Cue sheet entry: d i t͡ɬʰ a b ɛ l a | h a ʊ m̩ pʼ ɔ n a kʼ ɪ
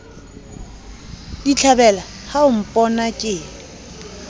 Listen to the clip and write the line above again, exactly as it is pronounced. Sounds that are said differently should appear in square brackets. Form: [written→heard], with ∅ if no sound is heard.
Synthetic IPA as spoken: d i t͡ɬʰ a b ɛ l a | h a ʊ m̩ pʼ ɔ n a kʼ ɪ